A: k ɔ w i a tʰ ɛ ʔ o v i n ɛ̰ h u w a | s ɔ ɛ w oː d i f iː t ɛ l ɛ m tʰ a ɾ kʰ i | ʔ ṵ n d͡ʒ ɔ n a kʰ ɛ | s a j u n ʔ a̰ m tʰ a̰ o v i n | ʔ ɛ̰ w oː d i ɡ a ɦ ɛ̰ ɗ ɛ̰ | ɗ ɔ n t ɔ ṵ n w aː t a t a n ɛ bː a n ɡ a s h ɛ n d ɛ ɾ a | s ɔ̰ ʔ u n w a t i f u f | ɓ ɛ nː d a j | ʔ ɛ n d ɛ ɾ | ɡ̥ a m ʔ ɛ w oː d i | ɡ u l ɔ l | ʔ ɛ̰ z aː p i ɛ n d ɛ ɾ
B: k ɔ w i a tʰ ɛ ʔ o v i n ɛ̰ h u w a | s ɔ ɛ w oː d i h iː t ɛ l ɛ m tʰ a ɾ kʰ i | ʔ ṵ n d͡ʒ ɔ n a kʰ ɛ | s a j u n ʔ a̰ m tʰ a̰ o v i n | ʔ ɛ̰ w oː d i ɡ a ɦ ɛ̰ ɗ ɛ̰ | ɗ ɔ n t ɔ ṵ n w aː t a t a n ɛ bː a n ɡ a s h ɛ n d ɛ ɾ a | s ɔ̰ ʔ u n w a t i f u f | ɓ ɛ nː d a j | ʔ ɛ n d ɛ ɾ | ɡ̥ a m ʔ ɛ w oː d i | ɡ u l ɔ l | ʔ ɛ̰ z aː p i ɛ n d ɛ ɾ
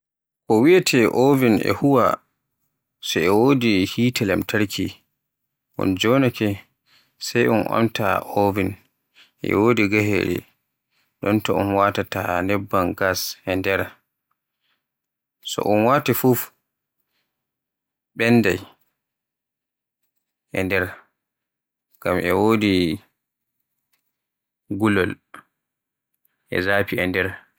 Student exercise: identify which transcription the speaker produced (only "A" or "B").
B